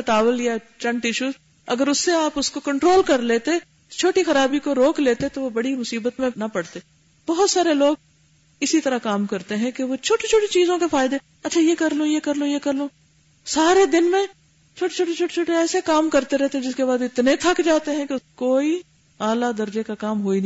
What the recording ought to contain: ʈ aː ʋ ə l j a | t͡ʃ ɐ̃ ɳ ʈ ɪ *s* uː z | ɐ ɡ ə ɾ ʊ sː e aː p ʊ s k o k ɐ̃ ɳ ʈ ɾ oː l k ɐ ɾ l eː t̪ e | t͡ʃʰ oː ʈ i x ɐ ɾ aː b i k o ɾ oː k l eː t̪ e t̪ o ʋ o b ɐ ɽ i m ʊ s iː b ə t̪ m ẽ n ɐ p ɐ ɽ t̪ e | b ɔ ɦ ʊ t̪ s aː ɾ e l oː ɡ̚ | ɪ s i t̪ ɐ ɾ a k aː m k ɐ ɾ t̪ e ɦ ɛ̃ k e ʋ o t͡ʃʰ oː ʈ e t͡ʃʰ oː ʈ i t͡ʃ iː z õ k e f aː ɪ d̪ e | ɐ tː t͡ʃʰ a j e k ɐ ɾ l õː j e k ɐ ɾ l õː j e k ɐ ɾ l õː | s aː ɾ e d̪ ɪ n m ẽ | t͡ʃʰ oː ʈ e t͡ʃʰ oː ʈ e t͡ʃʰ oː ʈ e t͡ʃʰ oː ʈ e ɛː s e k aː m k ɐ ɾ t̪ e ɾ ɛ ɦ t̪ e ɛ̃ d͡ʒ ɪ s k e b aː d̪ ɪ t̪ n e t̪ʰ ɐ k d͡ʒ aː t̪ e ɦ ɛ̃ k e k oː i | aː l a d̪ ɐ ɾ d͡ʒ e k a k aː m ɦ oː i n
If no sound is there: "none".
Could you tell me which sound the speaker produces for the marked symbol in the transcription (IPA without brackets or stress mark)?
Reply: ʃ